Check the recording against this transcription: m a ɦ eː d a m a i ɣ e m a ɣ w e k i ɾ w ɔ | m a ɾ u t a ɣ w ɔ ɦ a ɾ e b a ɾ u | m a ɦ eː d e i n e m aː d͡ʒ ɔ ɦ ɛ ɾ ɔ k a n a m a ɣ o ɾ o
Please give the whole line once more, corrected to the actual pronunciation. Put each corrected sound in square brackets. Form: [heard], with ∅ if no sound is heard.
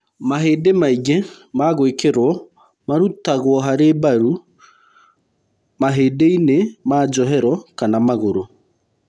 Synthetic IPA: m a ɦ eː d [e] m a i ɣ e m a ɣ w e k [e] ɾ w ɔ | m a ɾ u t a ɣ w ɔ ɦ a ɾ e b a ɾ u | m a ɦ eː d e i n e m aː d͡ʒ ɔ ɦ ɛ ɾ ɔ k a n a m a ɣ o ɾ o